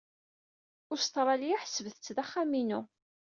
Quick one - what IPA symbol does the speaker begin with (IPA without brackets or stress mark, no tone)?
ʊ